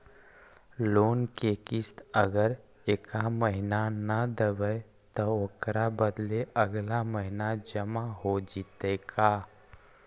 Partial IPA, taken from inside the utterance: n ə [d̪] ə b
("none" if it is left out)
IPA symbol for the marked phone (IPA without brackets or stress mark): d̪